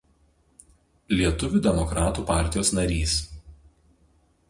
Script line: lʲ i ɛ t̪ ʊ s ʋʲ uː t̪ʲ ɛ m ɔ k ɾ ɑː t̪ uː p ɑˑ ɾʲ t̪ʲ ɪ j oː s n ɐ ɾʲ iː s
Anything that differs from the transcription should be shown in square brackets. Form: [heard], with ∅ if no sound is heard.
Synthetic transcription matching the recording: lʲ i ɛ t̪ ʊ [∅] ʋʲ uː [d̪ʲ] ɛ m ɔ k ɾ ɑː t̪ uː p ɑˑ ɾʲ t̪ʲ ɪ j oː s n ɐ ɾʲ iː s